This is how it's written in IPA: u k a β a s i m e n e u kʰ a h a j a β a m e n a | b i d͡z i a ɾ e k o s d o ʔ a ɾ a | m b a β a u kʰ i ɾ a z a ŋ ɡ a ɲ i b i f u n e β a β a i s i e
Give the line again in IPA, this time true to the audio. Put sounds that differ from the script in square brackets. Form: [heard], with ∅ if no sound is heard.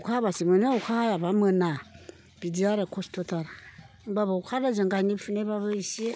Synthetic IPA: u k a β a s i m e n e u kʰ a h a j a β a m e n a | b i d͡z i a ɾ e k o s [t] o [t] a ɾ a | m b a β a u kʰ [a] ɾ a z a ŋ ɡ a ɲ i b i f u n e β a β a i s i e